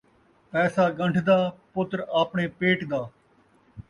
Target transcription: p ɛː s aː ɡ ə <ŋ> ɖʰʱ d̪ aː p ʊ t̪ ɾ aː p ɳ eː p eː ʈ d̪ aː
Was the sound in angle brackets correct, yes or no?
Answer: no